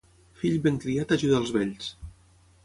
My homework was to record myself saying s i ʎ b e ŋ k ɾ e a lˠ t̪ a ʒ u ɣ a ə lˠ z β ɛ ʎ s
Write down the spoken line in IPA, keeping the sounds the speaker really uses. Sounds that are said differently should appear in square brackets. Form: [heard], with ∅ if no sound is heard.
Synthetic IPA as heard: [f] i ʎ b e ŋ k ɾ [i] a [∅] t̪ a ʒ u [ð] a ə lˠ z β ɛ ʎ s